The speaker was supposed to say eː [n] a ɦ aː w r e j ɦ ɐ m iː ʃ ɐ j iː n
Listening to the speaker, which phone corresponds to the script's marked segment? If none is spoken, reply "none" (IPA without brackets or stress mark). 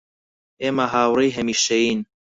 m